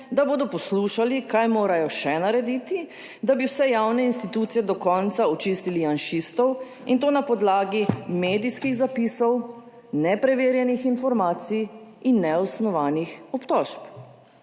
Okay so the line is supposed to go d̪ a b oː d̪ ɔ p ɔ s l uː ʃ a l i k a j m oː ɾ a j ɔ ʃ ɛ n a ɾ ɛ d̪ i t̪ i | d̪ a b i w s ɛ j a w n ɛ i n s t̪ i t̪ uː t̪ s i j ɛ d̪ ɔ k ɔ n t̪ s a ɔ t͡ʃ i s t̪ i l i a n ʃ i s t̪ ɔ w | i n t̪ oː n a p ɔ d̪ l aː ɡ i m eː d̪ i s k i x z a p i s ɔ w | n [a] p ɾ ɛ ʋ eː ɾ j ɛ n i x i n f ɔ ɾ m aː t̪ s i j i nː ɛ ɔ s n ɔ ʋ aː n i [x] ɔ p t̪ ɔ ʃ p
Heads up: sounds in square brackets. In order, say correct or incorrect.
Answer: incorrect: ɛ, correct

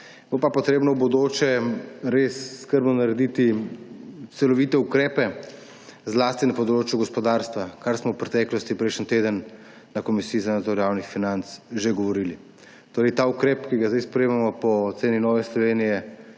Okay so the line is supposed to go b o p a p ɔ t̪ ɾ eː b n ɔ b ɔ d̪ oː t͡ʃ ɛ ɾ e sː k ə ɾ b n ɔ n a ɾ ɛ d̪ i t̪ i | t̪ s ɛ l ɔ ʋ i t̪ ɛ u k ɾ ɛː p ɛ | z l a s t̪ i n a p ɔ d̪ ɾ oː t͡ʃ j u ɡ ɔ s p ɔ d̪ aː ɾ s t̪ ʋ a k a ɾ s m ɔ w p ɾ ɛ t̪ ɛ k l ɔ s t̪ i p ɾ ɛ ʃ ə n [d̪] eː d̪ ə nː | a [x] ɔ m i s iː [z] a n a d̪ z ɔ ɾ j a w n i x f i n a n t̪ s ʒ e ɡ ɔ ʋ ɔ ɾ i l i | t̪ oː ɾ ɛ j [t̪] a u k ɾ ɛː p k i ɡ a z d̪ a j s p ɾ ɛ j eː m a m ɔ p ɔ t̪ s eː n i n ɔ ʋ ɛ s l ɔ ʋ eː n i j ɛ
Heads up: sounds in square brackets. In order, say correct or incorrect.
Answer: incorrect: t̪, incorrect: k, correct, correct

